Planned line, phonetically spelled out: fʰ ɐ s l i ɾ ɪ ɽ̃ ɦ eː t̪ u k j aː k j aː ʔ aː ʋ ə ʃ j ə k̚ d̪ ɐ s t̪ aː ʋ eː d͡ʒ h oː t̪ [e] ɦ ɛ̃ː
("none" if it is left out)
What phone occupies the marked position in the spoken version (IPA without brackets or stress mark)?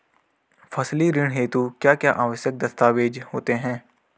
e